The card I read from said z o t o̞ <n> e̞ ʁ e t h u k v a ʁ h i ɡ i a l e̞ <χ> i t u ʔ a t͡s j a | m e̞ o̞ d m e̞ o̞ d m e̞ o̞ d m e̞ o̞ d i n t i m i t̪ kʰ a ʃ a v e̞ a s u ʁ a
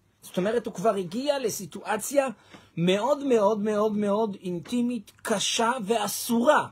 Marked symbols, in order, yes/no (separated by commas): no, no